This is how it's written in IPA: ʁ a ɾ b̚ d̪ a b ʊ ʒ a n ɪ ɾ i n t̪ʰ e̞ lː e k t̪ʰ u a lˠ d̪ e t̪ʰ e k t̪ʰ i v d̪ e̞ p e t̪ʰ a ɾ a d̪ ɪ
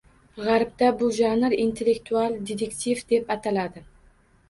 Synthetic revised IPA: ʁ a ɾ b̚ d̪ a b ʊ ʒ a n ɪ ɾ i n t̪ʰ e̞ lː e k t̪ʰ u a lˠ d̪ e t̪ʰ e k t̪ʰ i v d̪ e̞ p a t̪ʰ a l a d̪ ɪ